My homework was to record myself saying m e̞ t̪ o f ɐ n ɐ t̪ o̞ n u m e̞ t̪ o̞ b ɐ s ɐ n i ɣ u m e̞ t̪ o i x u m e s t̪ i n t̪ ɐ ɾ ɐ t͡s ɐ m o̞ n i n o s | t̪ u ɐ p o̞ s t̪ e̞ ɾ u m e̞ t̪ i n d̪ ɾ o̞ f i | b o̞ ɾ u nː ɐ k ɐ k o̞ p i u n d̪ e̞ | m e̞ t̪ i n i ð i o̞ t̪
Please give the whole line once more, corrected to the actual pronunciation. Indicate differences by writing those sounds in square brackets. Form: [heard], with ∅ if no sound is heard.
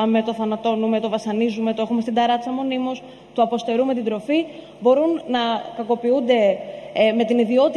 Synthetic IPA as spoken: m e̞ t̪ o [θ] ɐ n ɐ t̪ o̞ n u m e̞ t̪ o̞ [v] ɐ s ɐ n i [z] u m e̞ t̪ o [e] x u m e s t̪ i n [d̪] ɐ ɾ ɐ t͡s ɐ m o̞ n i [m] o s | t̪ u ɐ p o̞ s t̪ e̞ ɾ u m e̞ t̪ i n d̪ ɾ o̞ f i | b o̞ ɾ u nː ɐ k ɐ k o̞ p i u n d̪ e̞ | m e̞ t̪ i n i ð i o̞ t̪